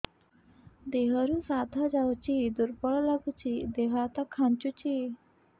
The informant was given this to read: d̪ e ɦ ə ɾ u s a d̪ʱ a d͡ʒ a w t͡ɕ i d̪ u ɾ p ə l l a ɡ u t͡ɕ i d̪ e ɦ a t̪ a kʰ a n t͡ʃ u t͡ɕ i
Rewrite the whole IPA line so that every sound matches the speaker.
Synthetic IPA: d̪ e ɦ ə ɾ u s a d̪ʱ a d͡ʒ a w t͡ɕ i d̪ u ɾ p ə ɭ l a ɡ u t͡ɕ i d̪ e ɦ a t̪ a kʰ a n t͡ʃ u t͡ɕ i